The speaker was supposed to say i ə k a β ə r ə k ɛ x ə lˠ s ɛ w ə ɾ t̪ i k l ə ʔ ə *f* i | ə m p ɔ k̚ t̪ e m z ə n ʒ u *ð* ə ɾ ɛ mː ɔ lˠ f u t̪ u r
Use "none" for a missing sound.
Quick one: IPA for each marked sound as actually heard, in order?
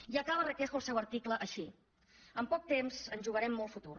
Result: ʃ, ɣ

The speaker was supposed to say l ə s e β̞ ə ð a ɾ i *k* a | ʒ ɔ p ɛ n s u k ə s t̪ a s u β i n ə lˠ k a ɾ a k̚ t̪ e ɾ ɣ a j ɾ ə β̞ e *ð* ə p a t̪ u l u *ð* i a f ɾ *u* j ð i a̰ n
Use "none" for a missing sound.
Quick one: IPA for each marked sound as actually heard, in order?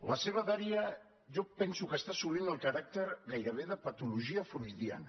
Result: none, ð, ʒ, u

